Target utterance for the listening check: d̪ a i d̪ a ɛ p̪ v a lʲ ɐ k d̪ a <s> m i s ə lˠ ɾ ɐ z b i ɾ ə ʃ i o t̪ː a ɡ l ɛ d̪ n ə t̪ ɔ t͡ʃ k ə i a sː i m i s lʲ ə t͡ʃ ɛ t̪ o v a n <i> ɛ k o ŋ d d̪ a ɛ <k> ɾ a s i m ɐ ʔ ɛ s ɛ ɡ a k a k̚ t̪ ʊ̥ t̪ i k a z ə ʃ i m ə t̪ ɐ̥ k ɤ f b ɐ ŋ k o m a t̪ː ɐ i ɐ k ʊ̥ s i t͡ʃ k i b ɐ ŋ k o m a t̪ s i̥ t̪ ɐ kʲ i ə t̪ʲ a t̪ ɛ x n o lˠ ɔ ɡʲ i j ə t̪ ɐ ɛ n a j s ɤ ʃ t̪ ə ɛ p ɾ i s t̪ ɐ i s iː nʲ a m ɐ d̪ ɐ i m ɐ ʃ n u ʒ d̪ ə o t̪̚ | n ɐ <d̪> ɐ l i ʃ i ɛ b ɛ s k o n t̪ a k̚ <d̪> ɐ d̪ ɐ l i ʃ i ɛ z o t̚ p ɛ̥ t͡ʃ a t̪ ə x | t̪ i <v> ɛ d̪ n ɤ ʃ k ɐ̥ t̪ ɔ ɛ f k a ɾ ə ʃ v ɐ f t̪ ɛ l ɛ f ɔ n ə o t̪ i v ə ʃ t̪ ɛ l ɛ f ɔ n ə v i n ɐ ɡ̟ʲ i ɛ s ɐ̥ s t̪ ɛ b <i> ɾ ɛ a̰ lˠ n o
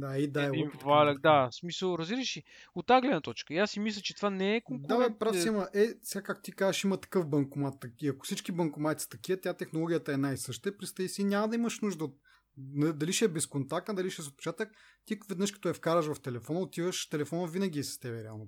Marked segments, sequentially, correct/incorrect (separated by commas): correct, incorrect, incorrect, correct, incorrect, correct, incorrect